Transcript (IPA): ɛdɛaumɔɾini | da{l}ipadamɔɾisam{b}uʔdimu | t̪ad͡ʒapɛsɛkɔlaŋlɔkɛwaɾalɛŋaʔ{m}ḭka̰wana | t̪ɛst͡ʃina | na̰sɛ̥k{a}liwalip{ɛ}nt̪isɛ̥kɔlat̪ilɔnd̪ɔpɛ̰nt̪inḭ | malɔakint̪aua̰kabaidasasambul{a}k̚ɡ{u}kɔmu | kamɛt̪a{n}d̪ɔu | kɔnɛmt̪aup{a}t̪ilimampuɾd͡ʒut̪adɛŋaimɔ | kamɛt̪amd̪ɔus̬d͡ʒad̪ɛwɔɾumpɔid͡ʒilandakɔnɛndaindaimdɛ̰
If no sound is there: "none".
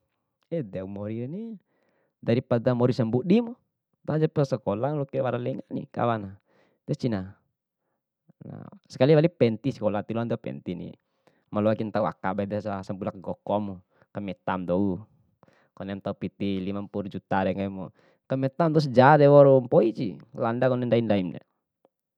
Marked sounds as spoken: ɾ, b, n, a, ɛ, a, ɔ, m, i

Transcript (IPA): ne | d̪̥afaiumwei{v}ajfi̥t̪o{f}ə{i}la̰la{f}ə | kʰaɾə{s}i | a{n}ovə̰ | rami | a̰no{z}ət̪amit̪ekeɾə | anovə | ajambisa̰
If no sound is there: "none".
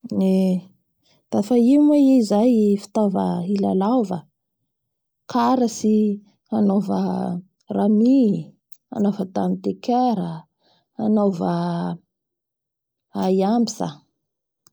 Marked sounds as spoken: z, v, i, v, s, n, v

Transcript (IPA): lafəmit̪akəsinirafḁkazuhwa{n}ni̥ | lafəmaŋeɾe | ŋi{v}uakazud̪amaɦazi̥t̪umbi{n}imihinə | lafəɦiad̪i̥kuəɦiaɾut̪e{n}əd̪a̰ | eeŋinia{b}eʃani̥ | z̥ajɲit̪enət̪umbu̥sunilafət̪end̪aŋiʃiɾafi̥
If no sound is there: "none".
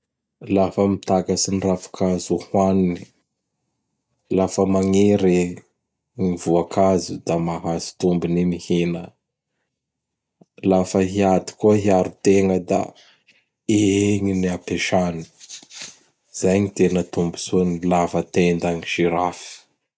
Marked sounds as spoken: n, v, n, ŋ, p

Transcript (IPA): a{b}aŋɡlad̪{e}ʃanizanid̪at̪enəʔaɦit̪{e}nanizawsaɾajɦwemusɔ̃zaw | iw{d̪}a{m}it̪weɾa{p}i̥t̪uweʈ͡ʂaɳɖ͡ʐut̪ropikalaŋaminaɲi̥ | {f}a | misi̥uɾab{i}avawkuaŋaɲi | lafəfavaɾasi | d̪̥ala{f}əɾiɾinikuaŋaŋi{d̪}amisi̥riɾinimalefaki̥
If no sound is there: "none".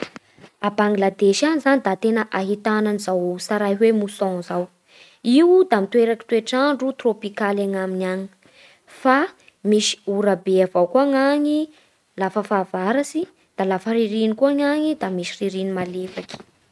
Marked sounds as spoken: b, e, a, d̪, m, k, f, e, f, d̪

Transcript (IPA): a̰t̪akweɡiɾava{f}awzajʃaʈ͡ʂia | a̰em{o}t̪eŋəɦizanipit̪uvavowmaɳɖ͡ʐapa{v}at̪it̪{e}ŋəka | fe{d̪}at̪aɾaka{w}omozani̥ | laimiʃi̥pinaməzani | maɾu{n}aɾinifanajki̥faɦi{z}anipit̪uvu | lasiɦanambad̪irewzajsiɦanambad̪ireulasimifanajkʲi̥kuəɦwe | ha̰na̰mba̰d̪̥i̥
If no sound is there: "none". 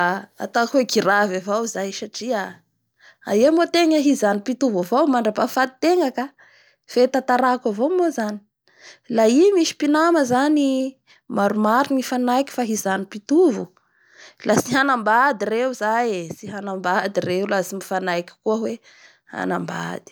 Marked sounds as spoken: v, o, f, e, t̪, v, m, z

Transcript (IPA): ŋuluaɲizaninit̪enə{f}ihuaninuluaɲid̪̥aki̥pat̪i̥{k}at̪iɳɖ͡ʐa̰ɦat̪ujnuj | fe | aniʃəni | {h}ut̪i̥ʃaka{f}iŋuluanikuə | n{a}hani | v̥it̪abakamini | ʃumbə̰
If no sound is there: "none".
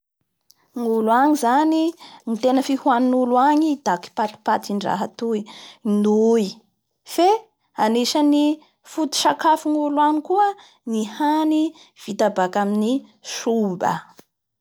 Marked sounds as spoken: f, p, f, f, i

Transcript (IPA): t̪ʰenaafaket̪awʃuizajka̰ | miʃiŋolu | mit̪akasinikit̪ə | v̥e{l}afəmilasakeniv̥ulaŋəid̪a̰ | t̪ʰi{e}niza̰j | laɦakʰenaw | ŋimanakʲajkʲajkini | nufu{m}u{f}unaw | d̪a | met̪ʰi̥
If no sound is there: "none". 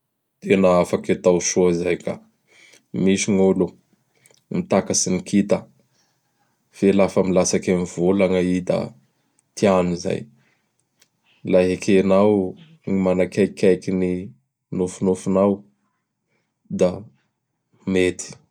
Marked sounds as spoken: l, a, n, f

